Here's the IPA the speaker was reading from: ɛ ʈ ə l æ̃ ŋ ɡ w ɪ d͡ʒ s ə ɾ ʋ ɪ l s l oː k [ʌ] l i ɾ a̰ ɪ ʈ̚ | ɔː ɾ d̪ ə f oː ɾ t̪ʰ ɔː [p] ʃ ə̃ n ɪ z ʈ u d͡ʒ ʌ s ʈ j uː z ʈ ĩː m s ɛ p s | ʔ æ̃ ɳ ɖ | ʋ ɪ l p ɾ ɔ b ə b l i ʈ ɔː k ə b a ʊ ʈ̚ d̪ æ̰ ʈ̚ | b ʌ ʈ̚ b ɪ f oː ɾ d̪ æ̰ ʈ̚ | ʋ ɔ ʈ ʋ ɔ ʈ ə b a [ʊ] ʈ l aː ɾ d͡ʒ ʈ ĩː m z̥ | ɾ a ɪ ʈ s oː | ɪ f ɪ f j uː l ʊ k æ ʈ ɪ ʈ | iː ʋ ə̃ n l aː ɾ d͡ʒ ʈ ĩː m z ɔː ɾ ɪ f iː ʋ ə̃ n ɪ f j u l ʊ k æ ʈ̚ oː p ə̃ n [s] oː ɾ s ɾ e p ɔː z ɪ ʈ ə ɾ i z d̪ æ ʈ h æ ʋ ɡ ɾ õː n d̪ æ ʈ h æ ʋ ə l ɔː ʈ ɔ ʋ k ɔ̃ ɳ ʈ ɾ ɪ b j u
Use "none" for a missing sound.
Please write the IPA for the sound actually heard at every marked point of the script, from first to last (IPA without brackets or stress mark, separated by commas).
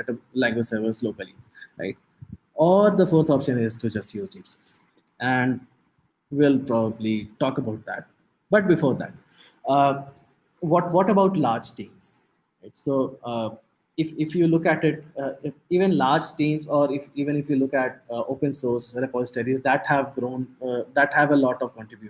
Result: ə, p, ʊ, s